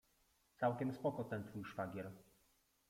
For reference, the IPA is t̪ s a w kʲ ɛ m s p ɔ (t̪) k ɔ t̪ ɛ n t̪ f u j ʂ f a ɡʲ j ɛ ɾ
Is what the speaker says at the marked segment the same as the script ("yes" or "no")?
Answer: no